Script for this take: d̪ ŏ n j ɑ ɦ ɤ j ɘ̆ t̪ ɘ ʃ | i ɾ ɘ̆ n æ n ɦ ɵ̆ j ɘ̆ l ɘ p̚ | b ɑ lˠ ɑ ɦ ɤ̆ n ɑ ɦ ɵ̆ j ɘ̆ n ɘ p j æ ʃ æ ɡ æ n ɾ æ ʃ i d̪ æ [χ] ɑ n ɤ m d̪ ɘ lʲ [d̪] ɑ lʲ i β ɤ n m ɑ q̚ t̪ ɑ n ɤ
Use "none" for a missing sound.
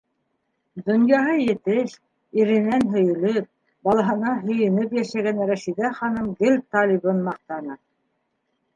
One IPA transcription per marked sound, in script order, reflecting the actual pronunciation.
χ, t̪

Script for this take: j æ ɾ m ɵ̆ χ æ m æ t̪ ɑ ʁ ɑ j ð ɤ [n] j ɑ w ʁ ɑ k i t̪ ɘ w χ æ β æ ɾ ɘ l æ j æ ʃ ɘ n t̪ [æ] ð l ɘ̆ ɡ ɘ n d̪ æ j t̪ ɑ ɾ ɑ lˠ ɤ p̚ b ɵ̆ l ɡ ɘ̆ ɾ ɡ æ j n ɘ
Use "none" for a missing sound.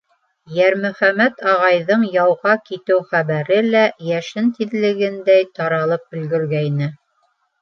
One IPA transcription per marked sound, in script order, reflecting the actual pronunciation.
ɴ, i

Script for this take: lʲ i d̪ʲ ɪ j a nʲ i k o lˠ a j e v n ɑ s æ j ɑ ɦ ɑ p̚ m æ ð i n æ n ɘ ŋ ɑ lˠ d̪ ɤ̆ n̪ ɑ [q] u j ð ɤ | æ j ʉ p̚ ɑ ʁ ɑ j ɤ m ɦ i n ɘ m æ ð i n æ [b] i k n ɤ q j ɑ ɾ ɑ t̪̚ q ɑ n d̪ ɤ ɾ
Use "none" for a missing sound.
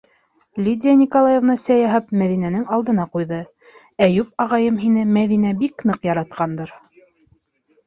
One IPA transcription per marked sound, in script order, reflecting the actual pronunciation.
q, b

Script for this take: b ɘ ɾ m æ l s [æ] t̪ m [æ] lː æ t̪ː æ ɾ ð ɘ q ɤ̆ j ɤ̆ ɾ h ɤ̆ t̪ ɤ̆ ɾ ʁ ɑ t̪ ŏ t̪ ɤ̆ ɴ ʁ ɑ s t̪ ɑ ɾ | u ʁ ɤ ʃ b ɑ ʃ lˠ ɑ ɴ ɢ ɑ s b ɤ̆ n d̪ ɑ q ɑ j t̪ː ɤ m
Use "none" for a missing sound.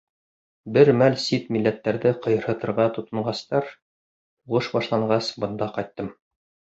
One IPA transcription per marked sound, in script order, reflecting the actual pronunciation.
i, i

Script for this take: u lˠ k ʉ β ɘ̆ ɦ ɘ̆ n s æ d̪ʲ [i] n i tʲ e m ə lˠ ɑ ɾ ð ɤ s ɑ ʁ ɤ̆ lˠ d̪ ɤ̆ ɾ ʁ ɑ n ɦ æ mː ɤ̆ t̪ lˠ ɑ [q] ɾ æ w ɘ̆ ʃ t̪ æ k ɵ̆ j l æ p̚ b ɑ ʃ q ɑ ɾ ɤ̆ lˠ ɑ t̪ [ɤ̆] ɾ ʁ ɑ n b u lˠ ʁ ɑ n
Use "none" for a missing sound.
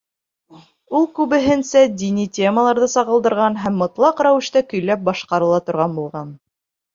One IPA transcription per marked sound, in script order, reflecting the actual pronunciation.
i, q, ŏ

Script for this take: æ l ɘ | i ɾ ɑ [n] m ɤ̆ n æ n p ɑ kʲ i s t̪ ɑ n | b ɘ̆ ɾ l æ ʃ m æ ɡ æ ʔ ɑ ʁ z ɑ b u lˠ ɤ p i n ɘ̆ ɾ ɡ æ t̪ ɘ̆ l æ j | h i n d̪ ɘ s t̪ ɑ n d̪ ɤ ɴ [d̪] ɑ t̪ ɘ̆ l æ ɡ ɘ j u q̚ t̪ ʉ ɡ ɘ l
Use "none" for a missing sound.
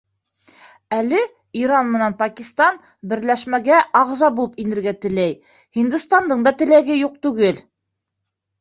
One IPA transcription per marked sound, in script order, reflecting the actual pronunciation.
n, d̪

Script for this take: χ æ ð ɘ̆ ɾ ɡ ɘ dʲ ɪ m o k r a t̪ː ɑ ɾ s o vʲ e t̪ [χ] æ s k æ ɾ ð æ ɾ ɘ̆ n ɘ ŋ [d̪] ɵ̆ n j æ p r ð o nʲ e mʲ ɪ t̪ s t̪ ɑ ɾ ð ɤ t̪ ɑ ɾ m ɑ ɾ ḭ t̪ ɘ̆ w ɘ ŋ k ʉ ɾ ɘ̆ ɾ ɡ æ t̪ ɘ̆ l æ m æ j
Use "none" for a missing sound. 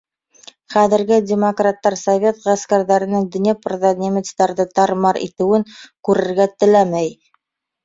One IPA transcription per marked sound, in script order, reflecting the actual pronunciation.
ʁ, d̪

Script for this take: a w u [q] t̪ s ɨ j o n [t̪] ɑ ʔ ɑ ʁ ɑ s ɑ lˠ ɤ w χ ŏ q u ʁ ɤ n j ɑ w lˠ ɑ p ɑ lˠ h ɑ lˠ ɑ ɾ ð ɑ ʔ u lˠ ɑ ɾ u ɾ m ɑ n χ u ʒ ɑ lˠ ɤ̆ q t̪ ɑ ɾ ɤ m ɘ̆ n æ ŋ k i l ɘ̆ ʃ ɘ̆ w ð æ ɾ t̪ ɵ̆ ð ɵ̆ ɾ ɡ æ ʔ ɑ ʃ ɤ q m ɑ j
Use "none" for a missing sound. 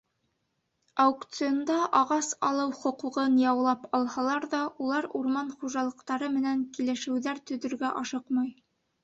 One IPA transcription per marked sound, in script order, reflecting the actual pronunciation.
k, d̪

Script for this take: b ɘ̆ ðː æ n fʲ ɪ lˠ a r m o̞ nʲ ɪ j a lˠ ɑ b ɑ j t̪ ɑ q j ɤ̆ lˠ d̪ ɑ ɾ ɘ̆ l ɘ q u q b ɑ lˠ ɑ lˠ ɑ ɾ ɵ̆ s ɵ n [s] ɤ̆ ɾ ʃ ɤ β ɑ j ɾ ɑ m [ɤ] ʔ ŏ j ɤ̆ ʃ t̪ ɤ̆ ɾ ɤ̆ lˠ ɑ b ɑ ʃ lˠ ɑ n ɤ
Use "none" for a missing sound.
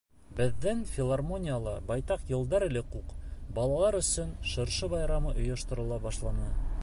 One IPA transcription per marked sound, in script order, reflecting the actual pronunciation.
ʃ, ɤ

